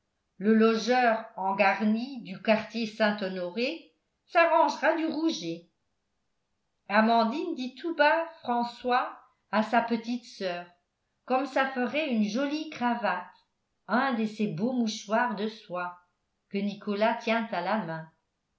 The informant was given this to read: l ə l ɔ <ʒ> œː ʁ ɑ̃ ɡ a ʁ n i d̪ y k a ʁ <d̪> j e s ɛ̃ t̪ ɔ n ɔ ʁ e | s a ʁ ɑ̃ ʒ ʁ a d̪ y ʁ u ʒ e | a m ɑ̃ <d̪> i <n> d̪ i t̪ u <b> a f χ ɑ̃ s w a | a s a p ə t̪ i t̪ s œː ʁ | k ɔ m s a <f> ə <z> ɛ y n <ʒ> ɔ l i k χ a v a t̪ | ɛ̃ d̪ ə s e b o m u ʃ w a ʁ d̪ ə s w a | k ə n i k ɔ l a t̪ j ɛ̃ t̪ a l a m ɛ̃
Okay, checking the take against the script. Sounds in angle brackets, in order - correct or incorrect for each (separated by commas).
correct, incorrect, correct, correct, correct, correct, incorrect, correct